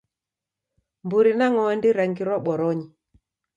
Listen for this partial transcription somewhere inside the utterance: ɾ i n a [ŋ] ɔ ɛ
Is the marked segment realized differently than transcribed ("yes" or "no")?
no